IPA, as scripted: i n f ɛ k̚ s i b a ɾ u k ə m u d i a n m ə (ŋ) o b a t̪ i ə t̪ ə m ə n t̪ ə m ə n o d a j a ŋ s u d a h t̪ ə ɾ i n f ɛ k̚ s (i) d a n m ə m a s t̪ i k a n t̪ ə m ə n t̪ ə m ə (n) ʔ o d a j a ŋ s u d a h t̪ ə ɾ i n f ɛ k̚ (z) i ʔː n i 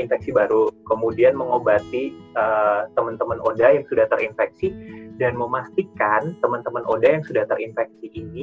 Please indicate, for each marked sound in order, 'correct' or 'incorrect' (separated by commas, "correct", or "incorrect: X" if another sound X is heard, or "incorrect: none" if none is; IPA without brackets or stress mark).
correct, correct, correct, incorrect: s